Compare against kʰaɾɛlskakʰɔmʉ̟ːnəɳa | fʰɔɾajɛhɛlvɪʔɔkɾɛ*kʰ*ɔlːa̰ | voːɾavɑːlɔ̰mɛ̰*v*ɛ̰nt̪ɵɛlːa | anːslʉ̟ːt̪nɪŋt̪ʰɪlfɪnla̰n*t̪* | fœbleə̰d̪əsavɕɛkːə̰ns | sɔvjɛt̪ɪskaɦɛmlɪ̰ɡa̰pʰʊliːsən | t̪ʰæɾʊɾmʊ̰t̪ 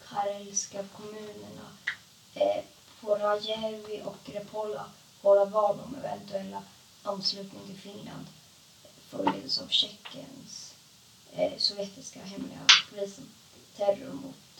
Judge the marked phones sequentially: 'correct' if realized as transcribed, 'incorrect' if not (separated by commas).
incorrect, correct, incorrect